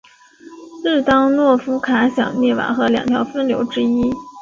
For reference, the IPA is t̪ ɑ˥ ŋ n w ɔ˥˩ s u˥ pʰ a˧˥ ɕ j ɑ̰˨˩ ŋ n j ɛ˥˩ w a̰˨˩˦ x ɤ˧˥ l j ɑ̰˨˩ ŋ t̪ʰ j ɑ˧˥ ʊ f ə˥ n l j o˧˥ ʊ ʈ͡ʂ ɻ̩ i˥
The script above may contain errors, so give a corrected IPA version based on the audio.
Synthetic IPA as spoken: t̪ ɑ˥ ŋ n w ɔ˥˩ f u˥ kʰ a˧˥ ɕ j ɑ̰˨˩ ŋ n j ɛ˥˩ w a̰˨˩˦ x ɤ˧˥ l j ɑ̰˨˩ ŋ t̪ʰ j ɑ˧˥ ʊ f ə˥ n l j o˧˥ ʊ ʈ͡ʂ ɻ̩ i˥